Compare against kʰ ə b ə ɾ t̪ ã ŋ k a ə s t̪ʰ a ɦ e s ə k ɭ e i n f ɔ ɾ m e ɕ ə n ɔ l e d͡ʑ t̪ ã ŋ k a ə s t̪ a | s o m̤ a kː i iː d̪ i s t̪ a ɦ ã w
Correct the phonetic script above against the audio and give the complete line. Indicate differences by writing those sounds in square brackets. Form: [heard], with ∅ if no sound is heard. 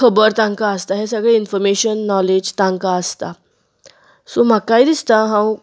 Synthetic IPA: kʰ ə b ə ɾ t̪ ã ŋ k a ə s [t̪] a ɦ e s ə [ɡ] ɭ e i n f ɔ ɾ m e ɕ ə [nː] ɔ l e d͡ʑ t̪ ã ŋ k a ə s t̪ a | s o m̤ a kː [a] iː d̪ i s t̪ a ɦ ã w